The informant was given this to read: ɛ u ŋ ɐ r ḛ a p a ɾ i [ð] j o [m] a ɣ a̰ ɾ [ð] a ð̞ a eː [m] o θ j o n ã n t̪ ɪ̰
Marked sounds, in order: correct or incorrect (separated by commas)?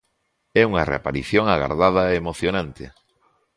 incorrect, incorrect, correct, correct